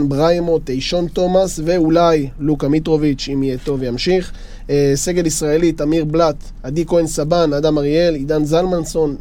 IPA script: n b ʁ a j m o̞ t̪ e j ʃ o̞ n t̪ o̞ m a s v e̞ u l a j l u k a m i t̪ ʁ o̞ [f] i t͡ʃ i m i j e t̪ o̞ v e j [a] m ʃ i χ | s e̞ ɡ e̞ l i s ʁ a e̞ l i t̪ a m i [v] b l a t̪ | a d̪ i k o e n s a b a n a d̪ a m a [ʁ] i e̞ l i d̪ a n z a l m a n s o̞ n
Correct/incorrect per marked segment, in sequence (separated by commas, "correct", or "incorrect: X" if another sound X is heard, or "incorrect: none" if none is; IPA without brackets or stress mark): incorrect: v, correct, incorrect: ʁ, correct